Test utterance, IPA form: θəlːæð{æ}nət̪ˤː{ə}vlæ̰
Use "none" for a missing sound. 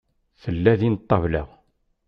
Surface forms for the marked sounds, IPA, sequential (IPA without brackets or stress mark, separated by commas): i, ɑ